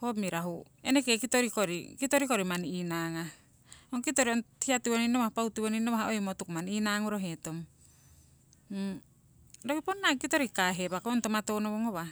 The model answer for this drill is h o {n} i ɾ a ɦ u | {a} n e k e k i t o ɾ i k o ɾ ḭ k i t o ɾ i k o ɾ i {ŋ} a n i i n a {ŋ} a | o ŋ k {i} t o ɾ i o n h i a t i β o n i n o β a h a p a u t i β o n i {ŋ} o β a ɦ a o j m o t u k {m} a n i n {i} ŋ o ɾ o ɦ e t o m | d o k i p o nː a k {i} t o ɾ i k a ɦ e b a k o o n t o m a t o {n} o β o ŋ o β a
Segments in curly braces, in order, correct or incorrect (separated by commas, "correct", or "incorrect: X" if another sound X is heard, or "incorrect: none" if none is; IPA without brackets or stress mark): incorrect: m, incorrect: e, incorrect: m, correct, correct, incorrect: n, correct, incorrect: a, correct, correct